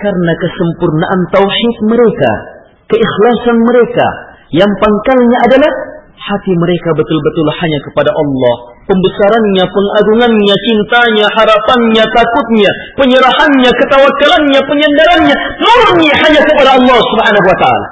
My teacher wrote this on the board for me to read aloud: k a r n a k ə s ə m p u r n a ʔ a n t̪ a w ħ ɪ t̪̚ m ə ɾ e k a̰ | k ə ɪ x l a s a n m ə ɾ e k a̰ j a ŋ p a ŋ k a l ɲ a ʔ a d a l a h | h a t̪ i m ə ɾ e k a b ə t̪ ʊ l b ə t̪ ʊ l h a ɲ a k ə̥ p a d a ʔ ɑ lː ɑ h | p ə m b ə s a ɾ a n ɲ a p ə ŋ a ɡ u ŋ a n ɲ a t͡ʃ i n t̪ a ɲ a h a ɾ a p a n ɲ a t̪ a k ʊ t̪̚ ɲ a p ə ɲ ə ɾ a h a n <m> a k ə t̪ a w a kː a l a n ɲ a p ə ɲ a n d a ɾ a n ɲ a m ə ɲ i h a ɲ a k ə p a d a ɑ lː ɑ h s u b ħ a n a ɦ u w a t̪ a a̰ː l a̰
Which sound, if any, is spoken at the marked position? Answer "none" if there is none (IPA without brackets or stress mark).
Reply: ɲ